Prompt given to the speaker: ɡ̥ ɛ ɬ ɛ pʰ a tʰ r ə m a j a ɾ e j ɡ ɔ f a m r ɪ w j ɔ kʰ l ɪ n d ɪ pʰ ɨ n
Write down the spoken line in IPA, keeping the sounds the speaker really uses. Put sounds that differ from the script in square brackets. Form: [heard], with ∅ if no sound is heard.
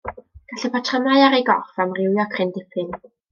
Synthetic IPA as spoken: ɡ̥ [a] ɬ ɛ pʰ a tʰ r ə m a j a ɾ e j ɡ ɔ f a m r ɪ w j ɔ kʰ [r] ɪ n d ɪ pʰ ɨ n